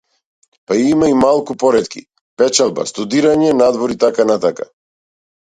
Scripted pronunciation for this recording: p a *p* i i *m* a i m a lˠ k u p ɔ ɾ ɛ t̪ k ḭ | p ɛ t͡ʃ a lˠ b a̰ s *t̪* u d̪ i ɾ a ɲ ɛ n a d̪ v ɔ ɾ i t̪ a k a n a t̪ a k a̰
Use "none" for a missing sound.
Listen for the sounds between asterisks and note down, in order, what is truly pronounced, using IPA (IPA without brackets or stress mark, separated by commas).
none, m, t̪